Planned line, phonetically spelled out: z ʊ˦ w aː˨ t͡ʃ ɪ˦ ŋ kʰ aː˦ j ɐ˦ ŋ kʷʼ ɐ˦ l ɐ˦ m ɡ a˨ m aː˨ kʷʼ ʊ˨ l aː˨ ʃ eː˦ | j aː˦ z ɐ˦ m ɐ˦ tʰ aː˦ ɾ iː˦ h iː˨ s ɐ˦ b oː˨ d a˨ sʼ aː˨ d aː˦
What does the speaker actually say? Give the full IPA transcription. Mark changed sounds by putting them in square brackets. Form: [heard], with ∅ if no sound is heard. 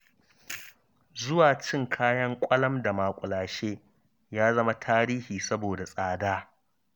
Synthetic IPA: z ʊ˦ w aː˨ t͡ʃ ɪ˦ ŋ kʰ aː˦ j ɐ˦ ŋ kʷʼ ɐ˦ l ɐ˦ m [d] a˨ m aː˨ kʷʼ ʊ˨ l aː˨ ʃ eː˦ | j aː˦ z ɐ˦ m [a˦] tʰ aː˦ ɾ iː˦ h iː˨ s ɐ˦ b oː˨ d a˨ sʼ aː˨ d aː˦